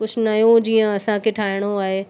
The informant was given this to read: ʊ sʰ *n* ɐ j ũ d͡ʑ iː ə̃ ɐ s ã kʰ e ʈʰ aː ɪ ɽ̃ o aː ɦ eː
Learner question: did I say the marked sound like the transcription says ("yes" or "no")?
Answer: yes